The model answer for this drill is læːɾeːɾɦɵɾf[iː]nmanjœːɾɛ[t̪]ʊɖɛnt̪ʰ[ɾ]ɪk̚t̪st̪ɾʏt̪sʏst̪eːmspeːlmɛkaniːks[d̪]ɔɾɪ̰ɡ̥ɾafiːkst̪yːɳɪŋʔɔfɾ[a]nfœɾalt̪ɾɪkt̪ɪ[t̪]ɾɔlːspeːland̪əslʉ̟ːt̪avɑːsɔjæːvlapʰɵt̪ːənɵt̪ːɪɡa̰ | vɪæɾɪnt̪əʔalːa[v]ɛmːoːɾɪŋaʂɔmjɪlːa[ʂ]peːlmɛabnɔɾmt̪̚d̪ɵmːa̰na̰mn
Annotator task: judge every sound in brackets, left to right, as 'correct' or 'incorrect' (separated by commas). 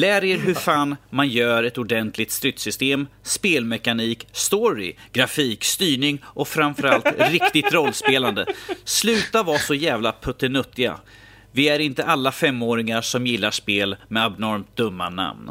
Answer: incorrect, correct, incorrect, incorrect, correct, correct, incorrect, correct